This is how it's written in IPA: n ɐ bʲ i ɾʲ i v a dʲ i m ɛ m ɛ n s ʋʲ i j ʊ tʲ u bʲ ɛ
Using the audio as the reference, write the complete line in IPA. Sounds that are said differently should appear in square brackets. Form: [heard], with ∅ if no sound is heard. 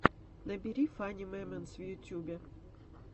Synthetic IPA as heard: n ɐ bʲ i ɾʲ i [f] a [nʲ] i m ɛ m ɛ n s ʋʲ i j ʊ tʲ u bʲ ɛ